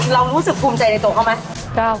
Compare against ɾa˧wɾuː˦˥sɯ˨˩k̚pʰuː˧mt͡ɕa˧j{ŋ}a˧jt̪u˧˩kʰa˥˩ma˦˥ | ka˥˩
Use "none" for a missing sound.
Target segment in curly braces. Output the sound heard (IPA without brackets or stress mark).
n